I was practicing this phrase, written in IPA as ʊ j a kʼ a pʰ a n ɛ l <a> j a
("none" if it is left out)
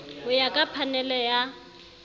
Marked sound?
ɛ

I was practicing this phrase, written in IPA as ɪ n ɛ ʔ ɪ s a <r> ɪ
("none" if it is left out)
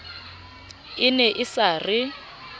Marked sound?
r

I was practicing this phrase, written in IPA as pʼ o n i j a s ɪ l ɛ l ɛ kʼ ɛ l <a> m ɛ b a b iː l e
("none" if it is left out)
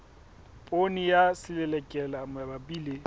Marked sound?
a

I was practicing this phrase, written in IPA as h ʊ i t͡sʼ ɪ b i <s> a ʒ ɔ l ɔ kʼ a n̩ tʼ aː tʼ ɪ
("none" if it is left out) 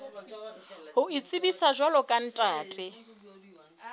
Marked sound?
s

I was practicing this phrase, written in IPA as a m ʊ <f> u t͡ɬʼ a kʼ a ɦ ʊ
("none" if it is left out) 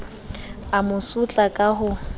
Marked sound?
s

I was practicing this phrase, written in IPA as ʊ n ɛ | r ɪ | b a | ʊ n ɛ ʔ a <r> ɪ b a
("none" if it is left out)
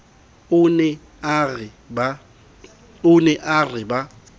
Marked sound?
r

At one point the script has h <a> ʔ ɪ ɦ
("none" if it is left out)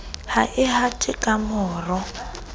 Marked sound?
a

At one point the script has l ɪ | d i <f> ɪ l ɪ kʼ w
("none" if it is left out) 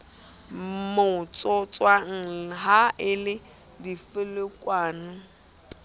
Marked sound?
f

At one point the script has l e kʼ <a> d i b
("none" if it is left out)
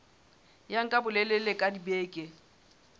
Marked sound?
a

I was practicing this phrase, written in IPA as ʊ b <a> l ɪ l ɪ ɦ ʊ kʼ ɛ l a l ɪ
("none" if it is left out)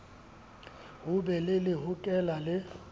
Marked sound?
ɛ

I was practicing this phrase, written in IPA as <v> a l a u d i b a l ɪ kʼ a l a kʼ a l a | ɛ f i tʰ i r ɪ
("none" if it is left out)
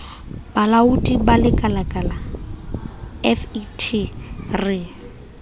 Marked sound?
b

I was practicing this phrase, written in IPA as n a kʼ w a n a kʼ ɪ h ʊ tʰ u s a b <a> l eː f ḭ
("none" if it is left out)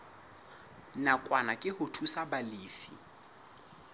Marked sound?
a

